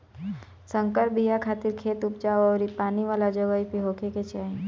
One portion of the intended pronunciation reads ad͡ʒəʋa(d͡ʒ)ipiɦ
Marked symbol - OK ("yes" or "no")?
no